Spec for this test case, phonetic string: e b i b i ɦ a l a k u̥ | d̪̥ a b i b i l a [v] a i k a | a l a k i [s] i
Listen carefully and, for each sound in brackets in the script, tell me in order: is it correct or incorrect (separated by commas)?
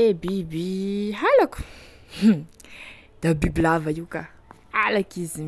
correct, incorrect